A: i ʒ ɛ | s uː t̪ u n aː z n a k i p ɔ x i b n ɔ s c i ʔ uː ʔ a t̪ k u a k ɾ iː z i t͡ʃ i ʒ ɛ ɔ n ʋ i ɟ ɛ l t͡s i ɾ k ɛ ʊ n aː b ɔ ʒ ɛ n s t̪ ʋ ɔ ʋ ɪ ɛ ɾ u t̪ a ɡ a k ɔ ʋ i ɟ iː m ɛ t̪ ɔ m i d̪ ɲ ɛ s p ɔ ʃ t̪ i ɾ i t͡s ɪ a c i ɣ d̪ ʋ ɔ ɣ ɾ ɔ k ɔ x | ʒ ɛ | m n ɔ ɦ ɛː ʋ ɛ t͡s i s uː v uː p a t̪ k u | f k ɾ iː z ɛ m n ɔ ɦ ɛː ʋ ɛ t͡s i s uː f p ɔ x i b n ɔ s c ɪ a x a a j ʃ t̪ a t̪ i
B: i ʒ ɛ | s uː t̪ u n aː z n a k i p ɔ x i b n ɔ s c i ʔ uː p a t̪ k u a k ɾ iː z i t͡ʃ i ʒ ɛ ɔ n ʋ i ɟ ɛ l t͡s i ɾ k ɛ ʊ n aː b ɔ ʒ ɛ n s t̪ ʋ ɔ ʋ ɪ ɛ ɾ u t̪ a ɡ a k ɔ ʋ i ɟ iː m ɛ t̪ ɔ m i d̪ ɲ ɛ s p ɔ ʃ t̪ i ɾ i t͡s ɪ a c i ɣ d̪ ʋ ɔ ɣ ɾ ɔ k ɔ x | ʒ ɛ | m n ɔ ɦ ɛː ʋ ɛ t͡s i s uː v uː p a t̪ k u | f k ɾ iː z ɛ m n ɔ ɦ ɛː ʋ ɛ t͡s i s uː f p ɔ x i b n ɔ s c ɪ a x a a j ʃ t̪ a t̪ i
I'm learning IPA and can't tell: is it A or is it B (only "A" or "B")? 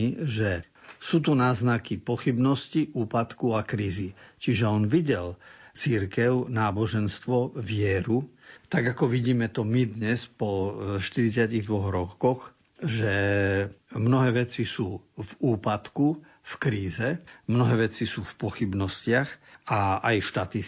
B